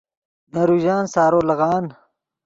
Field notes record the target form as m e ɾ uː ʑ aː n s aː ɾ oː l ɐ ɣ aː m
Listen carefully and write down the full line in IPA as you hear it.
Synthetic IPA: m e ɾ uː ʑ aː n s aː ɾ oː l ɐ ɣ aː n